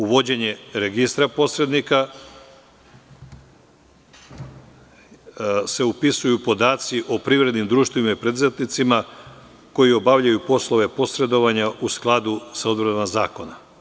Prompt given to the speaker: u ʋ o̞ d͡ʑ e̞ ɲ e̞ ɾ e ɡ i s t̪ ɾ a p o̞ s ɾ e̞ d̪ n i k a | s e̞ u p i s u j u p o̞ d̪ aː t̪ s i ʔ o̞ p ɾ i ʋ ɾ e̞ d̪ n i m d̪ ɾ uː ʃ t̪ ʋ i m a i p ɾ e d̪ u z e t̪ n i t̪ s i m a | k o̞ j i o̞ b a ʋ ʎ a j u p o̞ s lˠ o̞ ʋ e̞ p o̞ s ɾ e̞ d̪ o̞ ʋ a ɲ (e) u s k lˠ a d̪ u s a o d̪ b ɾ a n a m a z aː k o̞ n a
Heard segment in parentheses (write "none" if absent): a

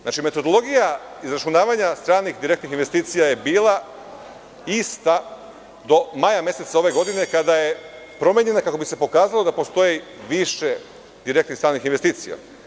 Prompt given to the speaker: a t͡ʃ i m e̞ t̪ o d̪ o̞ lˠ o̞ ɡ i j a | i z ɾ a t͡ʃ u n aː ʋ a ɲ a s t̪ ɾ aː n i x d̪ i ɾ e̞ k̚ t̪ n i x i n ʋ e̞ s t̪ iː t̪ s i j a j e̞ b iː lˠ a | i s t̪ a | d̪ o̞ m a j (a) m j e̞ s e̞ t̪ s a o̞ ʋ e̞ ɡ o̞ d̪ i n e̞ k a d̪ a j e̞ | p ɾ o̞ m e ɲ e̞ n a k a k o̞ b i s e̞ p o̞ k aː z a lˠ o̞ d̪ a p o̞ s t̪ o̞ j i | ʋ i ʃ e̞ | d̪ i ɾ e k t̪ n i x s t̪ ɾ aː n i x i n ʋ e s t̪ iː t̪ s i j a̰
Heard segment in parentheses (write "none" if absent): a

